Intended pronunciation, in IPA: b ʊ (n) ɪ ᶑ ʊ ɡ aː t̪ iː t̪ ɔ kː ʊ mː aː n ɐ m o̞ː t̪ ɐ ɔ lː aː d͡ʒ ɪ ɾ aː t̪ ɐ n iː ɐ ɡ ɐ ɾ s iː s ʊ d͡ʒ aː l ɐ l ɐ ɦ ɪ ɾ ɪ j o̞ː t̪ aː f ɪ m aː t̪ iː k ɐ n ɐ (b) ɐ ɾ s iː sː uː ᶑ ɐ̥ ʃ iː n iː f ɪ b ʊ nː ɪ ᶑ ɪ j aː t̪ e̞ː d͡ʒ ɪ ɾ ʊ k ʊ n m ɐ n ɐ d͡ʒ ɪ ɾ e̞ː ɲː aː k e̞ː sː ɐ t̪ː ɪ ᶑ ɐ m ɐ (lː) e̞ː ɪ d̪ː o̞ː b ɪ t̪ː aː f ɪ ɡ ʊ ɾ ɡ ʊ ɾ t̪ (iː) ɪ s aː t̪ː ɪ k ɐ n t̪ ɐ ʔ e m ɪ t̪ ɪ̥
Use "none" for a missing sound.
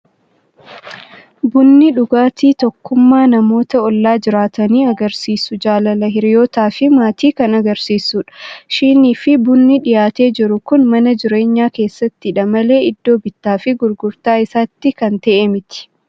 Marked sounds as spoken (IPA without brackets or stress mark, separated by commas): nː, ɡ, l, aː